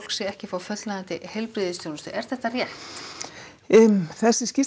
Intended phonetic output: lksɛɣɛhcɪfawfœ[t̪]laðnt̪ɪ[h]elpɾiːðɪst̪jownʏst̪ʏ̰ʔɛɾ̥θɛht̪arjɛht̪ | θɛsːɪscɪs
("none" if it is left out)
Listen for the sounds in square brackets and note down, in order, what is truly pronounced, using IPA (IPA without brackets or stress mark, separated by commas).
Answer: t̪, h